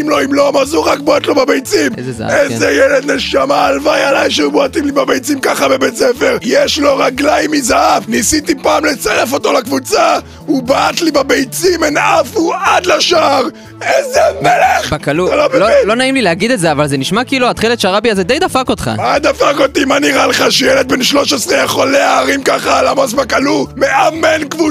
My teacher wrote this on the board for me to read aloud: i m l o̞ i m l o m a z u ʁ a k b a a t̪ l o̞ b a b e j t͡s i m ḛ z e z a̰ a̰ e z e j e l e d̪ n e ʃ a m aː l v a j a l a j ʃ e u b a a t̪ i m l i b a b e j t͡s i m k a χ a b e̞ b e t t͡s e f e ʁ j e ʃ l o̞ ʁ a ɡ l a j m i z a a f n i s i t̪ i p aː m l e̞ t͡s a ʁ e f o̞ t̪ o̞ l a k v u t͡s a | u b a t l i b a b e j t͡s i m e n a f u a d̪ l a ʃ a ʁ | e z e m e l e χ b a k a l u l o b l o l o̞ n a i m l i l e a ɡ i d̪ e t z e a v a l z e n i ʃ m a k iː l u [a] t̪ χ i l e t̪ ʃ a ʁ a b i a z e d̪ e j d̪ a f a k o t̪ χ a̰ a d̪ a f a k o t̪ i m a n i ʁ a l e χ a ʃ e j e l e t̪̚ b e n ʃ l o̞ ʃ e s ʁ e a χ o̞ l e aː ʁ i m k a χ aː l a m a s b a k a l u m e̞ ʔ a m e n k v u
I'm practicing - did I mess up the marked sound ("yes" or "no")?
no